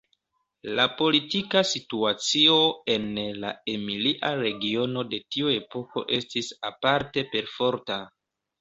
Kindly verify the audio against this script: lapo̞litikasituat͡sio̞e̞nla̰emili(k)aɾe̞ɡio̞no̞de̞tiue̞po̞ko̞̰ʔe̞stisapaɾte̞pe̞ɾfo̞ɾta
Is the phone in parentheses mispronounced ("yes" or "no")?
yes